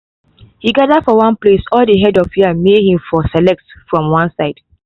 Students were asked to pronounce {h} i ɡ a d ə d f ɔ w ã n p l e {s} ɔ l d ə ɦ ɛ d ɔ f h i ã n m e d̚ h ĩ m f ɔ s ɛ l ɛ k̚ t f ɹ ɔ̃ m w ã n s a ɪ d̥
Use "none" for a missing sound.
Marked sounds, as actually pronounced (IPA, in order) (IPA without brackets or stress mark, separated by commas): h, s